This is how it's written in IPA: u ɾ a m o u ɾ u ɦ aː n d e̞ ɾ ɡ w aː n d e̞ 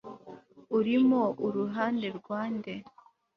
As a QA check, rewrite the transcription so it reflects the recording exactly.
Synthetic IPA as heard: u ɾ i m o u ɾ u ɦ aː n d e̞ ɾ ɡ w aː n d e̞